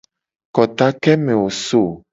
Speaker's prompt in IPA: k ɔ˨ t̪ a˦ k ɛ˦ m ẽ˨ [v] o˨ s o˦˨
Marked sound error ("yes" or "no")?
yes